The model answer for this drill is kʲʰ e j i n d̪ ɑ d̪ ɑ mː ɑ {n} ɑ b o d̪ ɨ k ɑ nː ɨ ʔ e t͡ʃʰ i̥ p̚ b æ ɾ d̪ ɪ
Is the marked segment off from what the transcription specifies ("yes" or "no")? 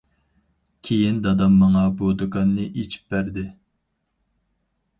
yes